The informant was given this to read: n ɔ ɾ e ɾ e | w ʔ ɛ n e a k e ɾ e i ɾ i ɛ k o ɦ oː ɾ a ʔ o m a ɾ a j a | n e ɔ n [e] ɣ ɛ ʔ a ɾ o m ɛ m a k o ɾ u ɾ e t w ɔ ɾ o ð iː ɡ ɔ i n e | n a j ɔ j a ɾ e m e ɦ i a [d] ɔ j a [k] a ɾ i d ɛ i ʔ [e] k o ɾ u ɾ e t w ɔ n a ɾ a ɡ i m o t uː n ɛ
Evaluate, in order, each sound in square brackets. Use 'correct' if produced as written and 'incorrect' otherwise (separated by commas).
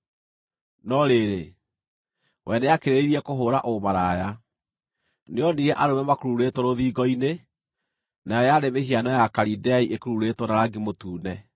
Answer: incorrect, incorrect, correct, correct